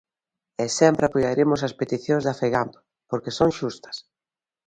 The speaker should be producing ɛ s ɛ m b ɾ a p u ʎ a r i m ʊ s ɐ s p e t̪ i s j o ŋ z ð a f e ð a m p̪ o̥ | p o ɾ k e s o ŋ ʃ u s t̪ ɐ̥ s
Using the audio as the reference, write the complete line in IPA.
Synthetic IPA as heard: ɛ s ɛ m p ɾ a p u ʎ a ɾ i m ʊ s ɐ s p e t̪ i θ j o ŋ z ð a f e ɣ a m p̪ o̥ | p o ɾ k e s o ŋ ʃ u s t̪ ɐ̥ s